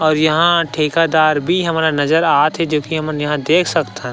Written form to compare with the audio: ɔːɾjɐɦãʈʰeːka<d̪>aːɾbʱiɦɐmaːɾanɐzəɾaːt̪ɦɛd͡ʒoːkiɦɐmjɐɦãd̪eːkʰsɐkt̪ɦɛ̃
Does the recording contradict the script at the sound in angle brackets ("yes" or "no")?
no